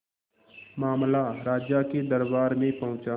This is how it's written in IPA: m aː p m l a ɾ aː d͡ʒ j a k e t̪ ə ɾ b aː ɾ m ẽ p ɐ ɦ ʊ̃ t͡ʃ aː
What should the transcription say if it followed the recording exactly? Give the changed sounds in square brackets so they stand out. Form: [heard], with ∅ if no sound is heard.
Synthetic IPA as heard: m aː [∅] m l a ɾ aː d͡ʒ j a k e [d̪] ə ɾ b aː ɾ m ẽ p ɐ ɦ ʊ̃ t͡ʃ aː